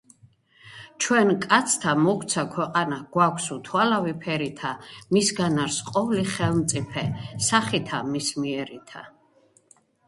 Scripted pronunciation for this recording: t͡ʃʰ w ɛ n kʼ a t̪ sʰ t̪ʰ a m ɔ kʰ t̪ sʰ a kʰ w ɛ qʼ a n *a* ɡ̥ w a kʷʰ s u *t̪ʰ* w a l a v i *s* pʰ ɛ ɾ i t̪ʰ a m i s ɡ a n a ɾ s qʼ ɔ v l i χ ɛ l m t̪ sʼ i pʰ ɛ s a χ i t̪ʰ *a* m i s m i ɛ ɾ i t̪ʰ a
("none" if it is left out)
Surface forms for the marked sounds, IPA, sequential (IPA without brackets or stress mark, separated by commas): a, t̪ʰ, none, a